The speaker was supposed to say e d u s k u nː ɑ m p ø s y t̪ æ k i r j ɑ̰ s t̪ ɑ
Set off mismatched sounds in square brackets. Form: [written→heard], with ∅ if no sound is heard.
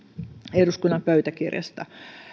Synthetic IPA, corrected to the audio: e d u s k u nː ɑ m p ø [s→∅] y t̪ æ k i r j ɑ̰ s t̪ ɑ

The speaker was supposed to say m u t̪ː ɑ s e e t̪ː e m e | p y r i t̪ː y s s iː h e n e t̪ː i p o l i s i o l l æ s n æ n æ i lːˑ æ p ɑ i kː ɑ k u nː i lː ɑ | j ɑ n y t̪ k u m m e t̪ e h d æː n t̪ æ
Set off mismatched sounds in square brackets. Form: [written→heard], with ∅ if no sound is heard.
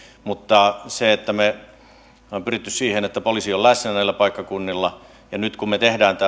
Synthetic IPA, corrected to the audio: m u t̪ː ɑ s e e t̪ː [e→æ] m e | p y r i t̪ː y s s iː h e n e t̪ː [i→æ] p o l i s i o l l æ s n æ n æ i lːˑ æ p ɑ i kː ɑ k u nː i lː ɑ | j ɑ n y t̪ k u m m e t̪ e h d æː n t̪ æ

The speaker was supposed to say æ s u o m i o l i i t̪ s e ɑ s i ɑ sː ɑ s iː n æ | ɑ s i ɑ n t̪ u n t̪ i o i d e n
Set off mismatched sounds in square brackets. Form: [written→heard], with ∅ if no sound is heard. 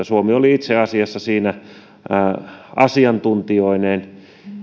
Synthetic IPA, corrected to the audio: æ s u o m i o l i i t̪ s e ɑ s i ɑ sː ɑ s iː n æ | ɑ s i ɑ n t̪ u n t̪ i o i [d→n] e n

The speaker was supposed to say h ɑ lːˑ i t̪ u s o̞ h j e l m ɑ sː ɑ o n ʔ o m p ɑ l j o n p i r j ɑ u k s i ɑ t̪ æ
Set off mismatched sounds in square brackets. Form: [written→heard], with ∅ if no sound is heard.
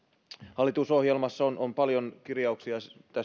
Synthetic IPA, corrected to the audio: h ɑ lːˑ i t̪ u s o̞ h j e l m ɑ sː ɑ o n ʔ o m p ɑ l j o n [p→k] i r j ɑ u k s i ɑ t̪ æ

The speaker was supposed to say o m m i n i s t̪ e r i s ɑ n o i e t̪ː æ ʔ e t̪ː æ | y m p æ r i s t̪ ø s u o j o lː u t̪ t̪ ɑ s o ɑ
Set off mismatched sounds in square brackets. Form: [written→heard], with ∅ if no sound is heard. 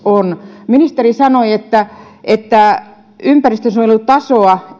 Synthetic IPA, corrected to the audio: o [m→n] m i n i s t̪ e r i s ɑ n o i e t̪ː æ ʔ e t̪ː æ | y m p æ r i s t̪ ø s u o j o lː u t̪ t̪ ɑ s o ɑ

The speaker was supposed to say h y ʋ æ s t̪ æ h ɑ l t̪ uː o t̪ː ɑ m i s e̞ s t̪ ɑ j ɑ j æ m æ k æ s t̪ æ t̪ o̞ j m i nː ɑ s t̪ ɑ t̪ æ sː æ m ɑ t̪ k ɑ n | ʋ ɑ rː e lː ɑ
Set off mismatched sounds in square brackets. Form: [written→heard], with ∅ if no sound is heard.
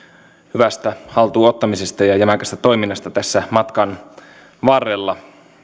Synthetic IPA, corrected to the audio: h y ʋ æ s t̪ æ h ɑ l t̪ uː o t̪ː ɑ m i s e̞ s t̪ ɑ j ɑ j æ m æ k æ s t̪ æ t̪ o̞ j m i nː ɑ s t̪ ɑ t̪ æ sː æ m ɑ t̪ k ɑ n | ʋ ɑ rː e lː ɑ

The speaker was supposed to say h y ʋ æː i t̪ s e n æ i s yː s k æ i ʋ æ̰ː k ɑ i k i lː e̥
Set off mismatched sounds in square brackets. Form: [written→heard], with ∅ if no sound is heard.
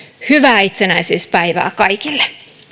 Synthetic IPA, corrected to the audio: h y ʋ æː i t̪ s e n æ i s yː s [k→p] æ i ʋ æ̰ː k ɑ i k i lː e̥

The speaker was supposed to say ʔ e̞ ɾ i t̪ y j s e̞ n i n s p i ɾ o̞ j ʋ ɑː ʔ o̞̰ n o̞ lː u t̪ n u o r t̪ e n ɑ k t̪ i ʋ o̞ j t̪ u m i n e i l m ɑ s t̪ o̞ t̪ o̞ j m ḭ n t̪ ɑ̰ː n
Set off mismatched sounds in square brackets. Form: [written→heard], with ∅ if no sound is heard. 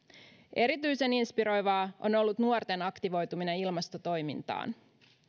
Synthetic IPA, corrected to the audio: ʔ e̞ ɾ i t̪ y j s e̞ n i n s p i ɾ o̞ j ʋ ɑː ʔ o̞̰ n o̞ lː u t̪ n u o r t̪ e n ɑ k t̪ i ʋ o̞ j t̪ u m i n e i l m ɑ s t̪ o̞ t̪ o̞ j m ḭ n t̪ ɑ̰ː n

